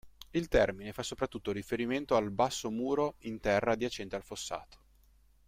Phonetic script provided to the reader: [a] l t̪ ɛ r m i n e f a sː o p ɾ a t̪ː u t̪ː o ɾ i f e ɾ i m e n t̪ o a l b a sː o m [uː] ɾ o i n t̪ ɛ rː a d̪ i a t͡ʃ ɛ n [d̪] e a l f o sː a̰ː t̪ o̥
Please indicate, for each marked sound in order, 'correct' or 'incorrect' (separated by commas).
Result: incorrect, correct, incorrect